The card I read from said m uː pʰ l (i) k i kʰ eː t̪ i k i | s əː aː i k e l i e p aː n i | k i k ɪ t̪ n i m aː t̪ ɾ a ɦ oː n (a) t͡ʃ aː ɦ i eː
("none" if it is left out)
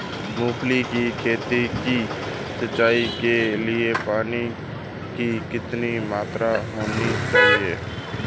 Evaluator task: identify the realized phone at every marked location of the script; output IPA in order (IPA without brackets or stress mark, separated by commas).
i, i